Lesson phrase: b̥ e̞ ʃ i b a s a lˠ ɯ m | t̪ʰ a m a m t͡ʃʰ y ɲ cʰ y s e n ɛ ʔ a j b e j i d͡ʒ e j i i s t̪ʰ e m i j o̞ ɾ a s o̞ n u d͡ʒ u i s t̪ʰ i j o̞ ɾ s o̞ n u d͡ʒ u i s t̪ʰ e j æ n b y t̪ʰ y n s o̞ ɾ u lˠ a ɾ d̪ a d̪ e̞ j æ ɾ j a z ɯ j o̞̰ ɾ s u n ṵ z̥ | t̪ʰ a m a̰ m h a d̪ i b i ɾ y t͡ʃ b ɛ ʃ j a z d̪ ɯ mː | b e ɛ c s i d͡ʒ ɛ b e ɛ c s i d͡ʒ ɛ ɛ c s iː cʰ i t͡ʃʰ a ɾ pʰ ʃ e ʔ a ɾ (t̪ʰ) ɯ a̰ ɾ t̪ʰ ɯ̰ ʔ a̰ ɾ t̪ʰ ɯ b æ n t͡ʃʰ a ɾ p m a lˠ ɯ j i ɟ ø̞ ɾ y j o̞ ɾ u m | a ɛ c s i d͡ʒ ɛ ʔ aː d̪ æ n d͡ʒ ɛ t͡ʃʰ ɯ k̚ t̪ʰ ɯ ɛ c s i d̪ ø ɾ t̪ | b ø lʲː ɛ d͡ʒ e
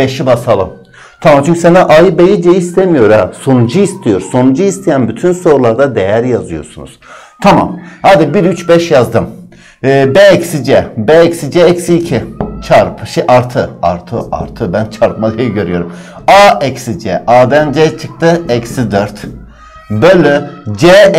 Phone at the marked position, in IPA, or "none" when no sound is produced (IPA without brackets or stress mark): t̪ʰ